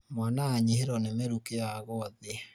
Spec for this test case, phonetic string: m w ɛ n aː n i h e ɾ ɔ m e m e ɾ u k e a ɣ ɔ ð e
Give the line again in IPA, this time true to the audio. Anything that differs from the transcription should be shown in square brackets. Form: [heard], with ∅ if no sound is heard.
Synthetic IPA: m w [a] n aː [ɲ] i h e ɾ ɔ [n] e m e ɾ u k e a ɣ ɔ ð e